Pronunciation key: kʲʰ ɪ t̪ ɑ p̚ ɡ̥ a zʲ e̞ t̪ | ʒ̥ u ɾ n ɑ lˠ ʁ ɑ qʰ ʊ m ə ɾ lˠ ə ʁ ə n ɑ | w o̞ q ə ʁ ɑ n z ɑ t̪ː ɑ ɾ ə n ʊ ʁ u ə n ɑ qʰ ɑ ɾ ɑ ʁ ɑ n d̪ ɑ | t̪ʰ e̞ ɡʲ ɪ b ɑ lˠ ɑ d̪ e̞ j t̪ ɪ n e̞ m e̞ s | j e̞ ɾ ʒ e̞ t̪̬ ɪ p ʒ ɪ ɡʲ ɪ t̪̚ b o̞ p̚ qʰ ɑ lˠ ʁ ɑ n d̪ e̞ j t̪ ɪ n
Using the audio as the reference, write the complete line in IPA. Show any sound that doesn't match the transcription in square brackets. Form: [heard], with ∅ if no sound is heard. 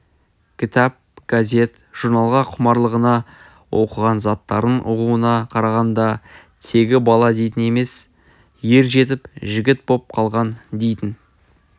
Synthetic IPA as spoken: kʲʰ ɪ t̪ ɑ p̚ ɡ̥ a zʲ e̞ t̪ | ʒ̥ u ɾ n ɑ lˠ ʁ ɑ qʰ ʊ m [ɑ] ɾ lˠ ə ʁ ə n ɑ | w o̞ q ə ʁ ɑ n z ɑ t̪ː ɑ ɾ ə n ʊ ʁ u ə n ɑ qʰ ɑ ɾ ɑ ʁ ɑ n d̪ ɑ | t̪ʰ e̞ ɡʲ ɪ b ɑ lˠ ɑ d̪ e̞ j t̪ ɪ n e̞ m e̞ s | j e̞ ɾ ʒ e̞ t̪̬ ɪ p ʒ ɪ ɡʲ ɪ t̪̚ b o̞ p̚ qʰ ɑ lˠ ʁ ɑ n d̪ e̞ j t̪ ɪ n